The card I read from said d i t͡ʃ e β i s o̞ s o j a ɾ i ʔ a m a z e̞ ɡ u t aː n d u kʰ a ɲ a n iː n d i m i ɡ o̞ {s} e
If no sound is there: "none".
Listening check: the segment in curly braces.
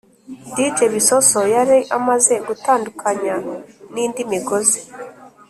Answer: z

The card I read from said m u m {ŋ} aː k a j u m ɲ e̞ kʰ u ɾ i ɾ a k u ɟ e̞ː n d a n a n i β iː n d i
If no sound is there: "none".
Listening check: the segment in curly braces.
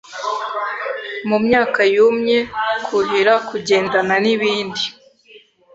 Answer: ɲ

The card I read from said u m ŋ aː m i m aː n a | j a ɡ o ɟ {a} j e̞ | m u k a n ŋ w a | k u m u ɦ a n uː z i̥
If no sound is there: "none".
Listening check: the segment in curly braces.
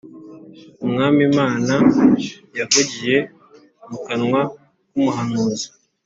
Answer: i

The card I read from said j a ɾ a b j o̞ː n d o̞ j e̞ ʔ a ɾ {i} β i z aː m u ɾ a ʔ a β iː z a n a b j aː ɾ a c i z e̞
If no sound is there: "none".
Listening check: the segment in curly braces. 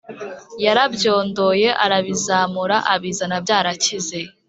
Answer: a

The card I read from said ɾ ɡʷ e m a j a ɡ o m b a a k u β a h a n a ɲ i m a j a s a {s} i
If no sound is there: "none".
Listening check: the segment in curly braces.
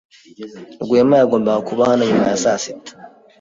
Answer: s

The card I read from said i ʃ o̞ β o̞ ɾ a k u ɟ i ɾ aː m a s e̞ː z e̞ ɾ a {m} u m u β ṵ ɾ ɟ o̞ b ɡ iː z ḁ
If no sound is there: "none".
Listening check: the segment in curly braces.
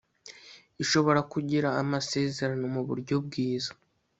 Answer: n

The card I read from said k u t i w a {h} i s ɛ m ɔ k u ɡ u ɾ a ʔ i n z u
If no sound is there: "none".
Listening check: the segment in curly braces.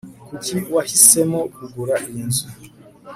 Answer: h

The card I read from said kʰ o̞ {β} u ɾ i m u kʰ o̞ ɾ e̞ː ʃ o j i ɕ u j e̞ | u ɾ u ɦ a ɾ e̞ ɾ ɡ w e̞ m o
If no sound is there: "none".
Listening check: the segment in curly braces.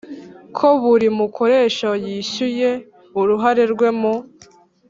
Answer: β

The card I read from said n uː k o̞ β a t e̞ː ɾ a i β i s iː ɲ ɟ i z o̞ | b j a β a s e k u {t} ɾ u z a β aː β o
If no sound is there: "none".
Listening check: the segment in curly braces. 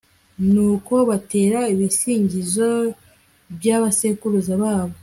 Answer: none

